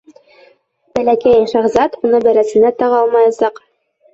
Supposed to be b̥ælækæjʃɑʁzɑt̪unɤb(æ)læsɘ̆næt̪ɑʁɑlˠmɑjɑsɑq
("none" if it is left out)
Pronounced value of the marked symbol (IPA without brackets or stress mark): æ